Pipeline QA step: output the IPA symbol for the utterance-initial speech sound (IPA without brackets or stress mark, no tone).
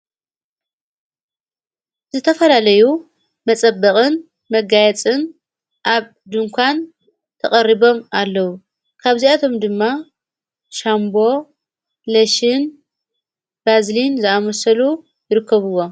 z